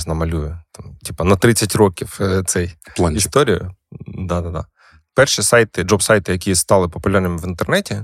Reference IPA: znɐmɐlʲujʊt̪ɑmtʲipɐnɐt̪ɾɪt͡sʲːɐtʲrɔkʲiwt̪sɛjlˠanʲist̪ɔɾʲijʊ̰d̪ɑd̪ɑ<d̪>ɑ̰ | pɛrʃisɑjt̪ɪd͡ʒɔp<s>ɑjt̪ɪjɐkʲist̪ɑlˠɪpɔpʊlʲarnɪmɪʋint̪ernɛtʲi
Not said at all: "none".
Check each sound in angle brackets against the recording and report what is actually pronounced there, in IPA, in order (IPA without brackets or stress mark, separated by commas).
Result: d̪, s